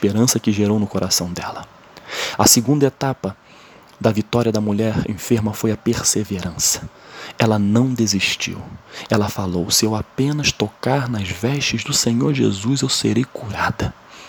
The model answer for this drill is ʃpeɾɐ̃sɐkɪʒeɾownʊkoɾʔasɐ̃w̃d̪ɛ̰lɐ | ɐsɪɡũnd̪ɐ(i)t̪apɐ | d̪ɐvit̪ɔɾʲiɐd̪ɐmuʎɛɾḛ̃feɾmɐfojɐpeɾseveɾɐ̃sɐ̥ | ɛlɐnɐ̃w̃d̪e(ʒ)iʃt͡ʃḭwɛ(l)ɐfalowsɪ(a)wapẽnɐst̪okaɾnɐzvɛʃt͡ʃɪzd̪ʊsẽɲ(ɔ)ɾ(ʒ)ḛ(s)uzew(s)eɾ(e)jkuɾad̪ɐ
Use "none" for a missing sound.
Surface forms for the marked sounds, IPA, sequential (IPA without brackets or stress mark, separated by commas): e, z, l, e, o, ʒ, z, s, e